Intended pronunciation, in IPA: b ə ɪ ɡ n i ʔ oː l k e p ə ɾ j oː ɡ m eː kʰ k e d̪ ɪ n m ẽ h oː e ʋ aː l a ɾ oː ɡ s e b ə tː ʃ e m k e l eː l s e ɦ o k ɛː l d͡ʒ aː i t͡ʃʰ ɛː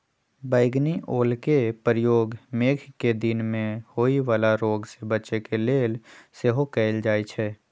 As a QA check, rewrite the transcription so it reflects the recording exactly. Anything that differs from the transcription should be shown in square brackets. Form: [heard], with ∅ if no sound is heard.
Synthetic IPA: b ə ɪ ɡ n i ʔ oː l k e p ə ɾ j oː ɡ m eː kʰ k e d̪ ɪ n m ẽ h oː [i] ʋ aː l a ɾ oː ɡ s e b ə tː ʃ e [∅] k e l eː l s e ɦ o k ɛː l d͡ʒ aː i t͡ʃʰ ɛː

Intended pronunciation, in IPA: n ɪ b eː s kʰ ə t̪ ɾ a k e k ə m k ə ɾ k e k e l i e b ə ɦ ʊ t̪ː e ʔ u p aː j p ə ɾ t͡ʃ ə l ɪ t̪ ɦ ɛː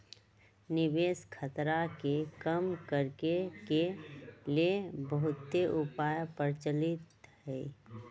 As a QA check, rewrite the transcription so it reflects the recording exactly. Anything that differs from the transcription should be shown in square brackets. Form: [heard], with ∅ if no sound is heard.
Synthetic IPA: n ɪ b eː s kʰ ə t̪ ɾ a k e k ə m k ə ɾ k e k e l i e b ə ɦ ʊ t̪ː e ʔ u p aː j p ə ɾ t͡ʃ ə l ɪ t̪ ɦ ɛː

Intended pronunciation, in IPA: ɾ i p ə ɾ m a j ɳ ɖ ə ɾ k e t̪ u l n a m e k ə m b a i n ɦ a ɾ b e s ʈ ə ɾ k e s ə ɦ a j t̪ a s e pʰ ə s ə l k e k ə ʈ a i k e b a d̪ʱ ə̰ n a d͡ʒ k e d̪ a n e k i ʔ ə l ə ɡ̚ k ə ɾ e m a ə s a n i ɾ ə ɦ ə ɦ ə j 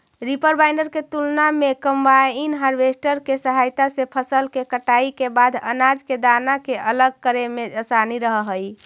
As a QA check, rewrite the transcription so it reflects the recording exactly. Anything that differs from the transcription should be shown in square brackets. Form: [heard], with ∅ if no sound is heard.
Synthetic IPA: ɾ i p ə ɾ [b] a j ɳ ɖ ə ɾ k e t̪ u l n a m e k ə m b a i n ɦ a ɾ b e s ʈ ə ɾ k e s ə ɦ a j t̪ a s e pʰ ə s ə l k e k ə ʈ a i k e b a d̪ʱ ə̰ n a d͡ʒ k e d̪ a n [a] k [e] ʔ ə l ə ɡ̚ k ə ɾ e m [e] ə s a n i ɾ ə ɦ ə ɦ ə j

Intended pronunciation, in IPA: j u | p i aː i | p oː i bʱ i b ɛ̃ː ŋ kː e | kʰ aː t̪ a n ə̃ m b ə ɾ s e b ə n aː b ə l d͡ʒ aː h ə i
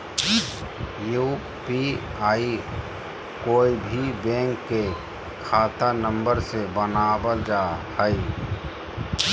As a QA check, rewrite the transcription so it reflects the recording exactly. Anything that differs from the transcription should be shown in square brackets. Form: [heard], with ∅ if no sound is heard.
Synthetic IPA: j u | p i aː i | [k] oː i bʱ i b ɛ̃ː ŋ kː e | kʰ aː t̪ a n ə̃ m b ə ɾ s e b ə n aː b ə l d͡ʒ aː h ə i

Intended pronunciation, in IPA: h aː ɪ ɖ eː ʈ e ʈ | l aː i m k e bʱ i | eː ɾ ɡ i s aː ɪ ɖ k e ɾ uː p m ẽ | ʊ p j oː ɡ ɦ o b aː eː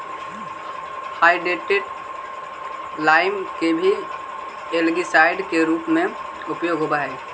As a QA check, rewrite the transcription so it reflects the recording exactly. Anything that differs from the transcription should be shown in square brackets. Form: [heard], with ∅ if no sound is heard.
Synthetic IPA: h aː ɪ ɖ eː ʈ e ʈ | l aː [ɪ] m k e bʱ i | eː [l] ɡ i s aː ɪ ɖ k e ɾ uː p m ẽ | ʊ p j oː ɡ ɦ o b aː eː

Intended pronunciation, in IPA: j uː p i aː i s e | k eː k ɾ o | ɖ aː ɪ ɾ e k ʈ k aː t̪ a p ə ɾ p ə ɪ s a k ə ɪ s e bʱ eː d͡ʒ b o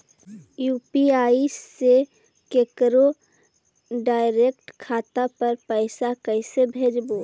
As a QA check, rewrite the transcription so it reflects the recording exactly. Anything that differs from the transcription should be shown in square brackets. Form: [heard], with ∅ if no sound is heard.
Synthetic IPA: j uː p i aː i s e | k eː k ɾ o | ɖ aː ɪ ɾ e k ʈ [kʰ] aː t̪ a p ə ɾ p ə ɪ s a k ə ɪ s e bʱ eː d͡ʒ b o

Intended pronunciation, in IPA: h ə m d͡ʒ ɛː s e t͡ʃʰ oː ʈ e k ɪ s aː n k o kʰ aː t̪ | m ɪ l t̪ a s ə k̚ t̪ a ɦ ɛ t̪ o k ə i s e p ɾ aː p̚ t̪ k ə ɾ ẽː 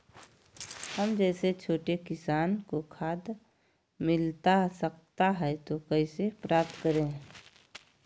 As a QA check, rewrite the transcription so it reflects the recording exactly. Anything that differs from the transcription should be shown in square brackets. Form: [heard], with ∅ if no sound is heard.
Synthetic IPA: h ə m d͡ʒ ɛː s e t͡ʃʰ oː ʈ e k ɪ s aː n k o kʰ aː [d̪] | m ɪ l t̪ a s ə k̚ t̪ a ɦ ɛ t̪ o k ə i s e p ɾ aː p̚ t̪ k ə ɾ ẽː

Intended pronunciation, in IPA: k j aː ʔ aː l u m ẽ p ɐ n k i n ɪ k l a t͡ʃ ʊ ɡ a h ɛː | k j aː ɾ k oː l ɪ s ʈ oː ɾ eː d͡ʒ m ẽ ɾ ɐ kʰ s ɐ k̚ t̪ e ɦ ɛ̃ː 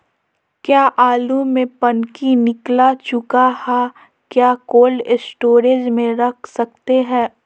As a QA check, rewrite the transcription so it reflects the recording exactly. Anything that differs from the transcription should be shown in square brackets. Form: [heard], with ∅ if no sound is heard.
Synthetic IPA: k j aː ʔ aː l u m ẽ p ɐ n k i n ɪ k l a t͡ʃ ʊ [k] a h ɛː | k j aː [∅] k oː l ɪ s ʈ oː ɾ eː d͡ʒ m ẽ ɾ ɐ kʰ s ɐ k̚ t̪ e ɦ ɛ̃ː

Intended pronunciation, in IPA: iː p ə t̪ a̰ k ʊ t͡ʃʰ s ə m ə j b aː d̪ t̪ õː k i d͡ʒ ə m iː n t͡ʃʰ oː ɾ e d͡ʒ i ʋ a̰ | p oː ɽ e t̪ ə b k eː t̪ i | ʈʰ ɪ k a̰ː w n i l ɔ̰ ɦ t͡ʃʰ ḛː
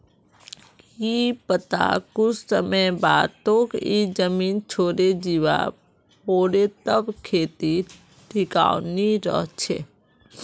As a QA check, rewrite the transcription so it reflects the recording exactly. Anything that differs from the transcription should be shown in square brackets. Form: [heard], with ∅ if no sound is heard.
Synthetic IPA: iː p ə t̪ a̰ k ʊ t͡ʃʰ s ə m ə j b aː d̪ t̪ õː k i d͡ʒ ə m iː n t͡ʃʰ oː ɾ e d͡ʒ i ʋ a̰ | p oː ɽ e t̪ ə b [kʰ] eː t̪ i | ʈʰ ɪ k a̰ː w n i [ɾ] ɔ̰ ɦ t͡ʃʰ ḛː

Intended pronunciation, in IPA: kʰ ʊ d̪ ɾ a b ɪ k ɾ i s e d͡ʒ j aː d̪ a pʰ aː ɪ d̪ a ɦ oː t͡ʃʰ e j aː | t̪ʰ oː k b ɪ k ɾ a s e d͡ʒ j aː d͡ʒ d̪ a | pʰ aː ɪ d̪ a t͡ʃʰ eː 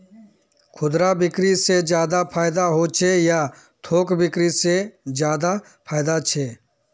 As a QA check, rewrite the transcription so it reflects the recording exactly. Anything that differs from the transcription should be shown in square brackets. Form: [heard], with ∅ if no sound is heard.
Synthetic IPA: kʰ ʊ d̪ ɾ a b ɪ k ɾ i s e d͡ʒ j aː d̪ a pʰ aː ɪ d̪ a ɦ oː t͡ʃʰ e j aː | t̪ʰ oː k b ɪ k ɾ [i] s e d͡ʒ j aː [∅] d̪ a | pʰ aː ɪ d̪ a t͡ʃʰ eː

